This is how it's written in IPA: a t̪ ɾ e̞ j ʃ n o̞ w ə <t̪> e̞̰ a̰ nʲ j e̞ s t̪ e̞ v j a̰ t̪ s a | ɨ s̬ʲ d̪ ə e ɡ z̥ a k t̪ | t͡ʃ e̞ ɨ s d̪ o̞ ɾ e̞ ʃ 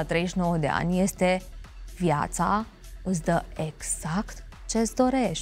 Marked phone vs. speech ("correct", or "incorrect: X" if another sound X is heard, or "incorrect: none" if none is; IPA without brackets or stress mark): incorrect: d̪